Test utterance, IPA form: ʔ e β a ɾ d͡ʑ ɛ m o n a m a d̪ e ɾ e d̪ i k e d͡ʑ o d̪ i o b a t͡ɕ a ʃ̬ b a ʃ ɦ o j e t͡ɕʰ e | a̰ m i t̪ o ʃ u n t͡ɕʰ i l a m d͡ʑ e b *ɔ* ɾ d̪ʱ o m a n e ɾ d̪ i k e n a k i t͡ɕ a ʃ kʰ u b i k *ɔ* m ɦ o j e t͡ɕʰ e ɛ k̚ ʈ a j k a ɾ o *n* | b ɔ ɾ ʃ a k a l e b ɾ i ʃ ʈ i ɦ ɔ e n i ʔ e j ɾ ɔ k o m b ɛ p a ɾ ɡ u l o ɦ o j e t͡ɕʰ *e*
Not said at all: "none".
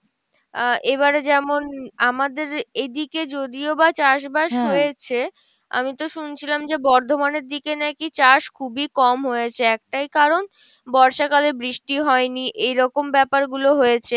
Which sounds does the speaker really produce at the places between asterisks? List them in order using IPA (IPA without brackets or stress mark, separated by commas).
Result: ɔ, ɔ, n, e